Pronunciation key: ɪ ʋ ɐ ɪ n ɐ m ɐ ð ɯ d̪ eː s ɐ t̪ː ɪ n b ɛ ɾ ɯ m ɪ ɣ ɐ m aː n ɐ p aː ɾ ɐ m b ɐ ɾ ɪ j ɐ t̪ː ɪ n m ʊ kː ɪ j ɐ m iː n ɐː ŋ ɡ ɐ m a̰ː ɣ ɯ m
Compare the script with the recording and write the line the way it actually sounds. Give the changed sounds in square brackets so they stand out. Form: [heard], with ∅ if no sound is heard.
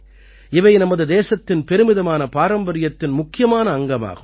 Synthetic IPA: ɪ ʋ ɐ ɪ n ɐ m ɐ ð ɯ d̪ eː s ɐ t̪ː ɪ n [p] ɛ ɾ ɯ m ɪ [ð] ɐ m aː n ɐ p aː ɾ ɐ m b ɐ ɾ ɪ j ɐ t̪ː ɪ n m ʊ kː ɪ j ɐ m [aː] n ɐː ŋ ɡ ɐ m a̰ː ɣ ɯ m